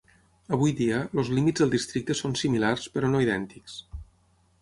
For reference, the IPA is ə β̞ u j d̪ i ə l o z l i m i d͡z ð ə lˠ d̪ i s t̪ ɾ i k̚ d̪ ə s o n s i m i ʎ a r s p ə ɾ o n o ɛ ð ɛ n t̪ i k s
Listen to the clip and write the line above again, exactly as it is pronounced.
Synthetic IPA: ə β̞ u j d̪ i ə l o z l i m i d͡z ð ə lˠ d̪ i s t̪ ɾ i k̚ t̪ ə s o n s i m i l a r s p ə ɾ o n o i ð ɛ n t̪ i k s